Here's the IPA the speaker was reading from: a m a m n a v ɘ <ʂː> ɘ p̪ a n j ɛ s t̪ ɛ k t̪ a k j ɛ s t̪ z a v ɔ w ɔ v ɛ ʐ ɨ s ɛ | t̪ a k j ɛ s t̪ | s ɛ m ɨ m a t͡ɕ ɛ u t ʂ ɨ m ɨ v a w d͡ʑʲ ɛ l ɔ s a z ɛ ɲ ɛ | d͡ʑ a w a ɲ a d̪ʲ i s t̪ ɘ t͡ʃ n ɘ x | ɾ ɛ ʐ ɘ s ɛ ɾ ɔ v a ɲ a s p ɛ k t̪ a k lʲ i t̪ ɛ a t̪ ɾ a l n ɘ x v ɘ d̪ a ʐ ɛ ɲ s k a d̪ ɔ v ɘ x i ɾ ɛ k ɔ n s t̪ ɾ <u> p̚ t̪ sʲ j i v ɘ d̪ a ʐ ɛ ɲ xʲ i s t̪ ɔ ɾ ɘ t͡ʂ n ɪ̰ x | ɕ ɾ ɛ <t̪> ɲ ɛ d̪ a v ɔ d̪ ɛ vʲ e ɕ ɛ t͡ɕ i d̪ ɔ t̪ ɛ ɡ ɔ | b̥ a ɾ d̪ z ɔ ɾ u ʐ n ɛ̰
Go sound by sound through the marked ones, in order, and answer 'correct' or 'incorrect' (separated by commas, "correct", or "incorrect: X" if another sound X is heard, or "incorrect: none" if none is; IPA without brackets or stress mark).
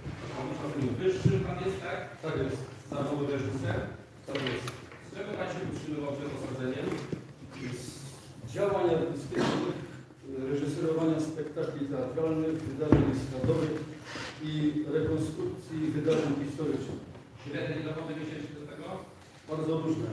correct, correct, incorrect: d̪